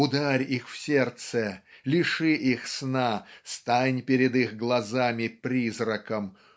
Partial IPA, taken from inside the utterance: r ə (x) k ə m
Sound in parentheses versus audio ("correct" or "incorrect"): incorrect